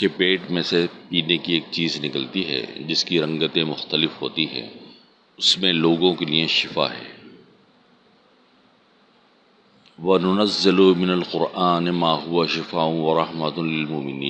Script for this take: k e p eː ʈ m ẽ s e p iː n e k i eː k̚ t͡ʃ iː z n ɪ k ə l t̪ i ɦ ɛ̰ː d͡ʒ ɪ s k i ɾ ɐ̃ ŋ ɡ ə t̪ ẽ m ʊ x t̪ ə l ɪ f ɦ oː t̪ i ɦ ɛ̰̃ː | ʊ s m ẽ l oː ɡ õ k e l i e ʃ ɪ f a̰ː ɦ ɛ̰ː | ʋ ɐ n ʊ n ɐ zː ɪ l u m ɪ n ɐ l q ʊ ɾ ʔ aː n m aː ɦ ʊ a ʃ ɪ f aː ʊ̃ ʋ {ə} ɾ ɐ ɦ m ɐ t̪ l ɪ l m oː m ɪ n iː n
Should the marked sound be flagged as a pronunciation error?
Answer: yes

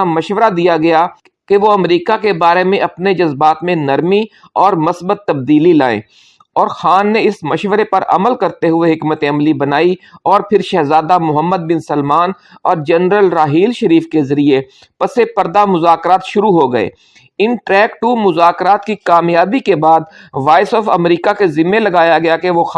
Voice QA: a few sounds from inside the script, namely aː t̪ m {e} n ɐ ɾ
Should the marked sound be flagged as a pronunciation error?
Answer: yes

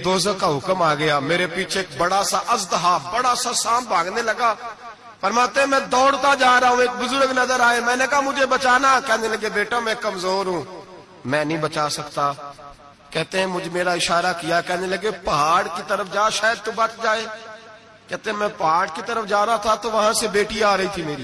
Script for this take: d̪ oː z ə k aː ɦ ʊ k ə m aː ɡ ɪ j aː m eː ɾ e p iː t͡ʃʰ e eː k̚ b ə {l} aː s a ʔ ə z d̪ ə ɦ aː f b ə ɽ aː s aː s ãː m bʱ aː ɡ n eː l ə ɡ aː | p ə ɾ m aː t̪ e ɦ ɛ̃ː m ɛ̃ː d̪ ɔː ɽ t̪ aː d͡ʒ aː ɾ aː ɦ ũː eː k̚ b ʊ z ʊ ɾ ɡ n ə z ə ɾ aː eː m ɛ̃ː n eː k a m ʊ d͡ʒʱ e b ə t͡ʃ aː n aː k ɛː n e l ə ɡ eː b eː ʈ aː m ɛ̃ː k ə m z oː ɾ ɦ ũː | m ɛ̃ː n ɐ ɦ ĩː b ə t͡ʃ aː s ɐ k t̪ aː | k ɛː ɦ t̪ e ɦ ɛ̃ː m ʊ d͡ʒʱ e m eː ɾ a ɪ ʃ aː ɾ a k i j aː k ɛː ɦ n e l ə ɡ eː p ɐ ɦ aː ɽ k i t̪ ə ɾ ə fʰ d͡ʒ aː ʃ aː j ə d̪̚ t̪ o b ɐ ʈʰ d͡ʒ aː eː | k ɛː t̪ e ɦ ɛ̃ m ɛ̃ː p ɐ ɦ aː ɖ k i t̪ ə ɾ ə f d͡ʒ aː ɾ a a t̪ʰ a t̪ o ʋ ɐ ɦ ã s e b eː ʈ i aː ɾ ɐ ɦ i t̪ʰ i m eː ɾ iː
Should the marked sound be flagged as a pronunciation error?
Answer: yes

